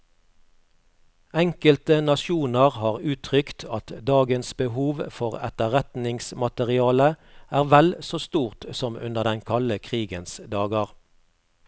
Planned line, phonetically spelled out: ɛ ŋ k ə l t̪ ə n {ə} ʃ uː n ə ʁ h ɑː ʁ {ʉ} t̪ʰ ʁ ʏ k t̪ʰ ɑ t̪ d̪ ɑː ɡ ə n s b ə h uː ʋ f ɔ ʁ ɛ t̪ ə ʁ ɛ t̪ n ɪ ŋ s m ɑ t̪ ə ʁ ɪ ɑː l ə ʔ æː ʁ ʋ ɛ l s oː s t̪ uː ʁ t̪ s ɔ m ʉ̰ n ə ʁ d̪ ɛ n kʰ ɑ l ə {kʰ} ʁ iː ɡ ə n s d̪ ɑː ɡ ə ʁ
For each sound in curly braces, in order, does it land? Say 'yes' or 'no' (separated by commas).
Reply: no, no, yes